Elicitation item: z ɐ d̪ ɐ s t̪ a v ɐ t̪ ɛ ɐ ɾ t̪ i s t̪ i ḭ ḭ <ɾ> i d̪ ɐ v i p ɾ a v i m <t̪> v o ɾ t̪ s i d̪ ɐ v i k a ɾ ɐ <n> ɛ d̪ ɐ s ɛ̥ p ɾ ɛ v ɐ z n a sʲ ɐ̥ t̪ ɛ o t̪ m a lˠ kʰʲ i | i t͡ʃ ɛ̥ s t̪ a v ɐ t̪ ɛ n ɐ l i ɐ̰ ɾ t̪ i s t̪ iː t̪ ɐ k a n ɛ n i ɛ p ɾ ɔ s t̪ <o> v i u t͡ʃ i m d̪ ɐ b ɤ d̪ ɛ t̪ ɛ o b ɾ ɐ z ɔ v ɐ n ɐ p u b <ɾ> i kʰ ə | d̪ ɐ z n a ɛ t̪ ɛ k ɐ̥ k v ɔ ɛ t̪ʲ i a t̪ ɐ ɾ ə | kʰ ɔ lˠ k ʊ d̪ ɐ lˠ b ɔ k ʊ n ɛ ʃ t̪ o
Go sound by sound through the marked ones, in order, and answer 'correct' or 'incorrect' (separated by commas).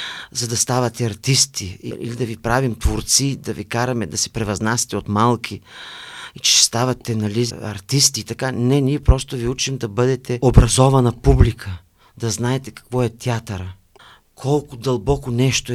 incorrect, correct, incorrect, correct, incorrect